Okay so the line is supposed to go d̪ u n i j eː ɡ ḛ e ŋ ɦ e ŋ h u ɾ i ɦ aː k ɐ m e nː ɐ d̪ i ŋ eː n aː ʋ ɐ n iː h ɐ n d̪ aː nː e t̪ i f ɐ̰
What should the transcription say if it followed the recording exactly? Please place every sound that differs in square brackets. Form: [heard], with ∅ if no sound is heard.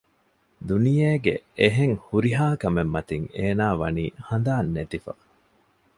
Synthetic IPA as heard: d̪ u n i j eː ɡ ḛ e [∅] ɦ e ŋ h u ɾ i ɦ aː k ɐ m e [mː] ɐ [t̪] i ŋ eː n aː ʋ ɐ n iː h ɐ n d̪ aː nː e t̪ i f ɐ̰